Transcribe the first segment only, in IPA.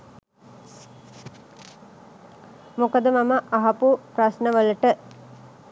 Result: m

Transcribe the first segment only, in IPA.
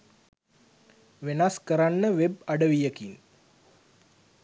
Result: ʋ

